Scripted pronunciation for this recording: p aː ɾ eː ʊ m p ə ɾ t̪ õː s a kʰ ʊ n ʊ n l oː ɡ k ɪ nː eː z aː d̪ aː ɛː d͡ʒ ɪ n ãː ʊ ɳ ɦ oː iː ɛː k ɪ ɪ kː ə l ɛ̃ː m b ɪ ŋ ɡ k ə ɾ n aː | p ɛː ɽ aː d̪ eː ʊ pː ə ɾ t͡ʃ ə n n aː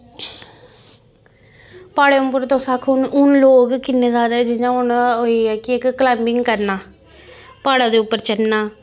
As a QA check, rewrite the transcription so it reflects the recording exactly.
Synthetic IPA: p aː ɽ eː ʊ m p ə ɾ t̪ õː s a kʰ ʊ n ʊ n l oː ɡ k ɪ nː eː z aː d̪ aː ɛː d͡ʒ ɪ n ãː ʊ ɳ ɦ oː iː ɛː k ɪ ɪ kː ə l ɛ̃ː m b ɪ ŋ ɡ k ə ɾ n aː | p aː ɽ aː d̪ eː ʊ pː ə ɾ t͡ʃ ə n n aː